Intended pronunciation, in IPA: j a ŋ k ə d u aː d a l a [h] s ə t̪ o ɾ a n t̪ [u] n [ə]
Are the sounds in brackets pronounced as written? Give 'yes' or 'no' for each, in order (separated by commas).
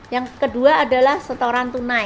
yes, yes, no